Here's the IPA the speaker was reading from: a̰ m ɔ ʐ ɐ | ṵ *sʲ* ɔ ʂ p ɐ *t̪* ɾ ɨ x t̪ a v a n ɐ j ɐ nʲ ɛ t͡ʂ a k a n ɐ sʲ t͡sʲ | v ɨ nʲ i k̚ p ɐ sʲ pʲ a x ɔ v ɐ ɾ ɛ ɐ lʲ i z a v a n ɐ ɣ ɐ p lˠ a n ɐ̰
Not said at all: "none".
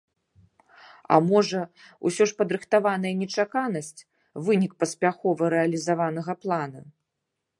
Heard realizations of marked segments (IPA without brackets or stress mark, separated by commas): sʲ, d̪